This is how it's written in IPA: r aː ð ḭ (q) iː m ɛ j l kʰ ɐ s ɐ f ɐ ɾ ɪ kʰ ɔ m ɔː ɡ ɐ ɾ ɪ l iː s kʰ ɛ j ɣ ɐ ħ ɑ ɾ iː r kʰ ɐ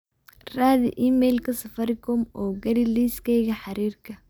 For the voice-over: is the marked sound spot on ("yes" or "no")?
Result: no